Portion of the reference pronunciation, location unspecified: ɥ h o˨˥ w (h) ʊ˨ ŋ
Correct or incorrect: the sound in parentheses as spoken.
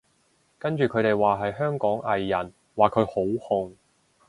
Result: correct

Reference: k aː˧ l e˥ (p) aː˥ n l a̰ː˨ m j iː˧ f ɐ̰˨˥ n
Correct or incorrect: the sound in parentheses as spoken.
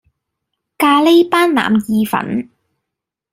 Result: correct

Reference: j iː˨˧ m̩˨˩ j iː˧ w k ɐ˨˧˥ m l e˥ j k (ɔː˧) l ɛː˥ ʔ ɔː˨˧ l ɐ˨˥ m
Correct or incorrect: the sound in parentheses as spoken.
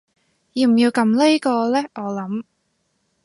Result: correct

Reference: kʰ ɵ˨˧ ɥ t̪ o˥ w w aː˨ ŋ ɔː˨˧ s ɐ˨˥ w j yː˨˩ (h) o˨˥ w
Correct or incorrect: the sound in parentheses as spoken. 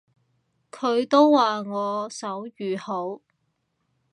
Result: correct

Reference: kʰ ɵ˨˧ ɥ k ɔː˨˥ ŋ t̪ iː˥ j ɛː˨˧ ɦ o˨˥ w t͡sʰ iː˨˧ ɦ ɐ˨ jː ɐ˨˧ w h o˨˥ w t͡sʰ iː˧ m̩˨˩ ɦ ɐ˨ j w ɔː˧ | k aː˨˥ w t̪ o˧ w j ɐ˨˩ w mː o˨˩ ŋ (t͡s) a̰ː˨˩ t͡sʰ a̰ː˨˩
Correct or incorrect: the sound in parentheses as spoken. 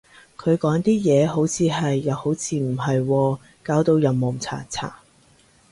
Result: incorrect: t͡sʰ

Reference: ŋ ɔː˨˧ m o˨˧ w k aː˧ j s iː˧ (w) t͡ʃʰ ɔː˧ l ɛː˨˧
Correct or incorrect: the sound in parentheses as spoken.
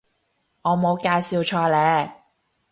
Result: correct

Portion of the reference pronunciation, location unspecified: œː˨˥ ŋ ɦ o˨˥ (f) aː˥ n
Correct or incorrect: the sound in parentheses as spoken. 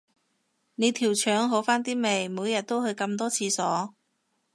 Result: correct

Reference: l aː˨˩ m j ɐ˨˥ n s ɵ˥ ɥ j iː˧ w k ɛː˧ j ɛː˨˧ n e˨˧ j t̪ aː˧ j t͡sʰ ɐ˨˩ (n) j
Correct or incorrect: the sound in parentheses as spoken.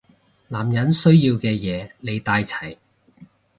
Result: incorrect: none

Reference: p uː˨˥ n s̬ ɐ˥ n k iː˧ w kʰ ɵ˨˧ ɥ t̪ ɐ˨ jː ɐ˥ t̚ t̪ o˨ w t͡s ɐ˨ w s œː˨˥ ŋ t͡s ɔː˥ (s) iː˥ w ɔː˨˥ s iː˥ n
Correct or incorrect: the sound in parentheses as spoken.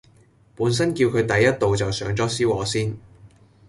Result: correct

